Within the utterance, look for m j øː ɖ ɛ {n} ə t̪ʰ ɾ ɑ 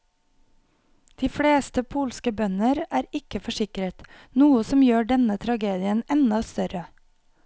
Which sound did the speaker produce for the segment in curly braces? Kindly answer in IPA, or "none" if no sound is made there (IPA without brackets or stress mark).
n